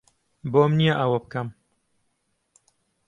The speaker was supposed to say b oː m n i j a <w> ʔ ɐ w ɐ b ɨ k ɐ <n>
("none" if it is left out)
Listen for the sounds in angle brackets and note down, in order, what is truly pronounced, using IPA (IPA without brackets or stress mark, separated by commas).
none, m